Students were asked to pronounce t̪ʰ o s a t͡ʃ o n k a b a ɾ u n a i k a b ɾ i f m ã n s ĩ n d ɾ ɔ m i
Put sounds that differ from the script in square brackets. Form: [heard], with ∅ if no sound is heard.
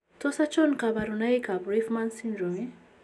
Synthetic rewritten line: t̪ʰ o s a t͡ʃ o n k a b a ɾ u n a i k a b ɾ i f m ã n s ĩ n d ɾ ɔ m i